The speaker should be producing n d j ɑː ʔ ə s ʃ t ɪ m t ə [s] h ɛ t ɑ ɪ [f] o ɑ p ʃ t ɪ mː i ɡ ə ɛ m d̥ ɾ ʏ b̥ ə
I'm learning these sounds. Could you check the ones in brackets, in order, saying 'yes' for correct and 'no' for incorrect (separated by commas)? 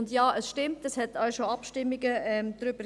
yes, no